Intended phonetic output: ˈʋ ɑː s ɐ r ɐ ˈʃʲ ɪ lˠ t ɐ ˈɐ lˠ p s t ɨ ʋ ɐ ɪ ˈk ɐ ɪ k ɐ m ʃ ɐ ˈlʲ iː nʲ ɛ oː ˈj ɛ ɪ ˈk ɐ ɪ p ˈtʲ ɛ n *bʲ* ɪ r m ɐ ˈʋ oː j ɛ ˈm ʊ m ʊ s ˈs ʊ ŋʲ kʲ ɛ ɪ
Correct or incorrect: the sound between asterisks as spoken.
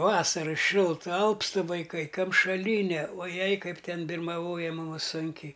correct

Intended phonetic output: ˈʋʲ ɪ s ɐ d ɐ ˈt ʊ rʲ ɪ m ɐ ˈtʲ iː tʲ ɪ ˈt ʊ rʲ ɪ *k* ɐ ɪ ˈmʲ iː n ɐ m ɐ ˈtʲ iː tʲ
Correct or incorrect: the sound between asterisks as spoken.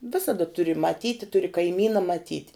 correct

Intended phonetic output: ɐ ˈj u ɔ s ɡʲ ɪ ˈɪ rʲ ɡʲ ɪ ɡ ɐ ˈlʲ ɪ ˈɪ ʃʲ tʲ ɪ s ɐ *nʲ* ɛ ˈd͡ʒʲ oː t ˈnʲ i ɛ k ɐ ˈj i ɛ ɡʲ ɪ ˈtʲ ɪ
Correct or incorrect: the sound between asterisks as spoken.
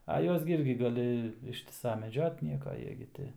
incorrect: mʲ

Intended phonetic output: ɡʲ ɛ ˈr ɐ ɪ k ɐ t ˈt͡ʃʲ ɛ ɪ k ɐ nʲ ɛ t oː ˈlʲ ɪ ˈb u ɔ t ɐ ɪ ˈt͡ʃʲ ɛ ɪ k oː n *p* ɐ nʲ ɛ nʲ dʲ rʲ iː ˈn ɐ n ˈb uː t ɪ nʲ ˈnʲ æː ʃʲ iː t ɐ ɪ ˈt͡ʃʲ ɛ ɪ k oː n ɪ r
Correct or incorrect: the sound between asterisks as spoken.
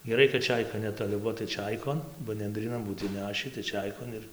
incorrect: b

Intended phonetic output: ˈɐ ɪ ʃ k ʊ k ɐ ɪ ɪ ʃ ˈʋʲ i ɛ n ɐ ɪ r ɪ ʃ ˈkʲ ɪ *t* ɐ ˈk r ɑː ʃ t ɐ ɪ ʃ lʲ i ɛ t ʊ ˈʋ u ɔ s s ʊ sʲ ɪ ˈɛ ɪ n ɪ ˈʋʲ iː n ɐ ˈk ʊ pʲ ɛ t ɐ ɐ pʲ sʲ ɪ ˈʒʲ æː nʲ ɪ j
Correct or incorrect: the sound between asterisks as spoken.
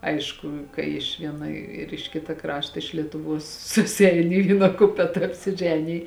correct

